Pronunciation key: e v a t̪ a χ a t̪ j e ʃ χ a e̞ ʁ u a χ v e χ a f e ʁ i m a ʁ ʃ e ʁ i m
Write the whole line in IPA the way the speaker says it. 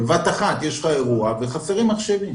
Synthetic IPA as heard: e v a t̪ a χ a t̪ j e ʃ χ a e̞ ʁ u a v e χ a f e ʁ i m a χ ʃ e v i m